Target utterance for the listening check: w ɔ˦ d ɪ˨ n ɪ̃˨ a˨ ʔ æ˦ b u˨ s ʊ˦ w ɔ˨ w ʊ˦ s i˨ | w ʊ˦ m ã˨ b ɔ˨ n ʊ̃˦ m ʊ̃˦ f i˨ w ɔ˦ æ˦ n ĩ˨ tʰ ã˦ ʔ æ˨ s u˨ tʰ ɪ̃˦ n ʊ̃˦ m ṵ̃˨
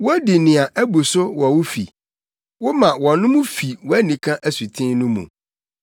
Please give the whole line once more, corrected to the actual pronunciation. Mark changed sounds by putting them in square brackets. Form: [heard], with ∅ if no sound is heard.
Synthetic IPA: w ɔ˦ d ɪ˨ n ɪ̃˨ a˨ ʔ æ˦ b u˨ s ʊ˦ w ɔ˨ w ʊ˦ [f] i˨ | w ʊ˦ m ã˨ [w] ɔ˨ n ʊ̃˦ m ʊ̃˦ f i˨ w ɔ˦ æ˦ n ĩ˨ [kʰ] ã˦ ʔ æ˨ s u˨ tʰ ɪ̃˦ n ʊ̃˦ m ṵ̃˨